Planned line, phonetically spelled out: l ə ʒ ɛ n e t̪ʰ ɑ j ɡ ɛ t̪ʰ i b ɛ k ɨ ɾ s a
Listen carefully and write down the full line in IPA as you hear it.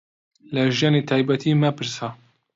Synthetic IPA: l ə ʒ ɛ n e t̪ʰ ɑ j b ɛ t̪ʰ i m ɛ p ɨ ɾ s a

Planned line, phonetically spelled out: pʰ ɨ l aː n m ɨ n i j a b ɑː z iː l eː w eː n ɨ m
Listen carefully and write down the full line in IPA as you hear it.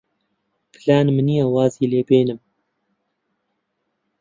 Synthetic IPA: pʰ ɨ l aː n m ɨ n i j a w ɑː z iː l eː b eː n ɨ m

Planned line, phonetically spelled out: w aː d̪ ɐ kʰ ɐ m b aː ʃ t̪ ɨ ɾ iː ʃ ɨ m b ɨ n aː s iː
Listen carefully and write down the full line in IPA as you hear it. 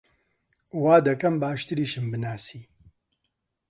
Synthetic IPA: w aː d̪ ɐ k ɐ m b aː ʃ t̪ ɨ ɾ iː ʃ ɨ m b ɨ n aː s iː

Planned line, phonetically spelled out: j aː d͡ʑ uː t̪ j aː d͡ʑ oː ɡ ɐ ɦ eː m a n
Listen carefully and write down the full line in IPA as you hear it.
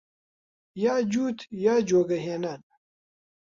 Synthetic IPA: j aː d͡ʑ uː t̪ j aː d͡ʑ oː ɡ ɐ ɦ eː n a n

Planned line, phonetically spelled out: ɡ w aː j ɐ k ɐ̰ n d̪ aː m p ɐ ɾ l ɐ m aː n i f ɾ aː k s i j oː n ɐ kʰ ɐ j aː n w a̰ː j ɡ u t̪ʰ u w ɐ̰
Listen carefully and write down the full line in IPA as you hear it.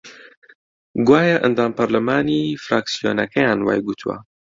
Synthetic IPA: ɡ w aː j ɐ ʔ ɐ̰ n d̪ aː m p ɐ ɾ l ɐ m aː n i f ɾ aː k s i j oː n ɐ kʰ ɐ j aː n w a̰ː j ɡ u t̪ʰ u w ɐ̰

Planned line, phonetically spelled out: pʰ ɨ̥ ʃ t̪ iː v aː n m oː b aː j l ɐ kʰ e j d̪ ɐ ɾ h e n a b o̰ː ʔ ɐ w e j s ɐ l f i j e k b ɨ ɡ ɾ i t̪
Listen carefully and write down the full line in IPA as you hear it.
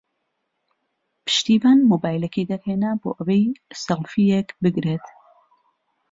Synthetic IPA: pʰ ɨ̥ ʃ t̪ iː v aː n m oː b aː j l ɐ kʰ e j d̪ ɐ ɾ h e n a b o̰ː ʔ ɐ w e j s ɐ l f i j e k b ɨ ɡ ɾ e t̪

